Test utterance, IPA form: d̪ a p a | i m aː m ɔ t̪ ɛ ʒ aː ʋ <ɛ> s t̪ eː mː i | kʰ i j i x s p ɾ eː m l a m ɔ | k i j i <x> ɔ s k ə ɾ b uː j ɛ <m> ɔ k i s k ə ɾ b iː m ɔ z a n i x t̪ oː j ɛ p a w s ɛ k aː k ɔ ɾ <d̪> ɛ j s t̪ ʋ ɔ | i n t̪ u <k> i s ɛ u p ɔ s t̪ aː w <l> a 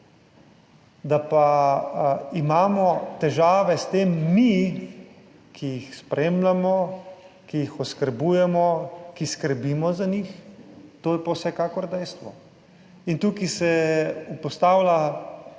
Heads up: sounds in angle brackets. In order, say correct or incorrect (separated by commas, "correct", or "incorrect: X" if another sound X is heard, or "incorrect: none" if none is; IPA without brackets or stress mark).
correct, correct, correct, correct, correct, correct